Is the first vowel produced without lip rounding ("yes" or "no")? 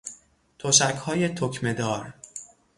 no